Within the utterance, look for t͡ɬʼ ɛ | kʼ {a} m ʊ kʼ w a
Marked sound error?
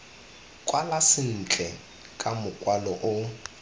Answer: no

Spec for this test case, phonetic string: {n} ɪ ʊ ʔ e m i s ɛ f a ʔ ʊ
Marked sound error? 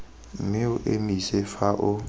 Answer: yes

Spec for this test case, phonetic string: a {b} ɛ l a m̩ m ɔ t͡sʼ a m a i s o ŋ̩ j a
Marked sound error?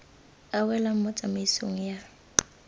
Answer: yes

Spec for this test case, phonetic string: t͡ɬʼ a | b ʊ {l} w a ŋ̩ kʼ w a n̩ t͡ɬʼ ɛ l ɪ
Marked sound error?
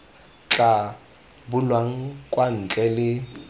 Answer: no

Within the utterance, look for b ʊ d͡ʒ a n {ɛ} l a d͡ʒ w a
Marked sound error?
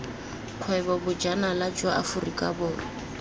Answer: yes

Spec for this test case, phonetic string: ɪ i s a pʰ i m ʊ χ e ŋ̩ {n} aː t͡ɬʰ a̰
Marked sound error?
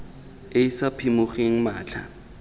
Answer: yes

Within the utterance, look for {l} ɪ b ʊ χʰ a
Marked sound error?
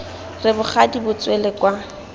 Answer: yes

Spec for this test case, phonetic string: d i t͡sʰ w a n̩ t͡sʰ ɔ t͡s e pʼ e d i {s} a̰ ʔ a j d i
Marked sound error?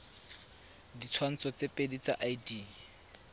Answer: yes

